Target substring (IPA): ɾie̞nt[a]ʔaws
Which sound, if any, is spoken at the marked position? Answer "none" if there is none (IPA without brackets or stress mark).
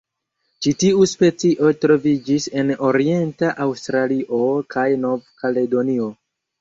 a